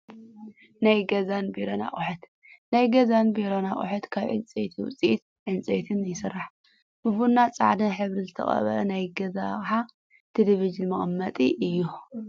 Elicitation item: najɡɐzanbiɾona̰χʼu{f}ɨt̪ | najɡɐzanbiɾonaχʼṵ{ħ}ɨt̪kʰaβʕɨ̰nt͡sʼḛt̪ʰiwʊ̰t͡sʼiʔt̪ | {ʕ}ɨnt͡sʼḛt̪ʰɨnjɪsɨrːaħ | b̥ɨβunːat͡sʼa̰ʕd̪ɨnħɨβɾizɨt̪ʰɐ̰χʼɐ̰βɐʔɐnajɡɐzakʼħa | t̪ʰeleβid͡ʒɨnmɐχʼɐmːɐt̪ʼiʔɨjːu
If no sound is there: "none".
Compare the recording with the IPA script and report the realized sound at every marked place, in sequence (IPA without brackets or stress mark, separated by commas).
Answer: ħ, ħ, ʕ